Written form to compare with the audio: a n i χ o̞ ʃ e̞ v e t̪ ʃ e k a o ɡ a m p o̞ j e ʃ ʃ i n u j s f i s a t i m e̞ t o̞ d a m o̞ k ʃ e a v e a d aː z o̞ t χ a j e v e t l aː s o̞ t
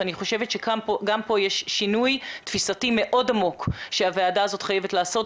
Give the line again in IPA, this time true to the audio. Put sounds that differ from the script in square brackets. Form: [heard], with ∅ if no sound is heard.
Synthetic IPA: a n i χ o̞ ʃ e̞ v e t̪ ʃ e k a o ɡ a m p o̞ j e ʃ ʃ i n u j [t] f i s a t i m e̞ [ʔ] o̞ d a m o̞ k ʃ e a v e a d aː z o̞ t χ a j e v e t l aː s o̞ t